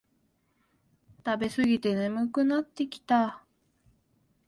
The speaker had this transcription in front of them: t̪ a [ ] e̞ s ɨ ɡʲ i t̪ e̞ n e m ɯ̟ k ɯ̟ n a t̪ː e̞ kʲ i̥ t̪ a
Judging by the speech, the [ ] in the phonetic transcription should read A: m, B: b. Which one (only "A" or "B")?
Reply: B